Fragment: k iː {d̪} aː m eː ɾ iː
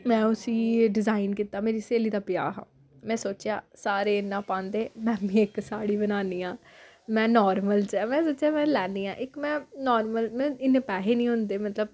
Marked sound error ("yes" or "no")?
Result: yes